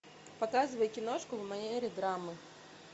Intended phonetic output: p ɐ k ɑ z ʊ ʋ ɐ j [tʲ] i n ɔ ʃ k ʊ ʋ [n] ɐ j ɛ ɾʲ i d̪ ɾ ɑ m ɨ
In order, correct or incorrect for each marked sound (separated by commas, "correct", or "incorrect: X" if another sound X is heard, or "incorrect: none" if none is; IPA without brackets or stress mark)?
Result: incorrect: kʲ, incorrect: m